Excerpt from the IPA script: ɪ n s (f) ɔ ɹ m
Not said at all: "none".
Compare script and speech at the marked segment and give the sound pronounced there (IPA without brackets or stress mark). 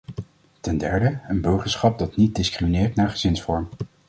f